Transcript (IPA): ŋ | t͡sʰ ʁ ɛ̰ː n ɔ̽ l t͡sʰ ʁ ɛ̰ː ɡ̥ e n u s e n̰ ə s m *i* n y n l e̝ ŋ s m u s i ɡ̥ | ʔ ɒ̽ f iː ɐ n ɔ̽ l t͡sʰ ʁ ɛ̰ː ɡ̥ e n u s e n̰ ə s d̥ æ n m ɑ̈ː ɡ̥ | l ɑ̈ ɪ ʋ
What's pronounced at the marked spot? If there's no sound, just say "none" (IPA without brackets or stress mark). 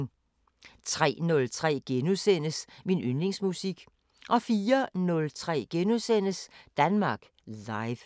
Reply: i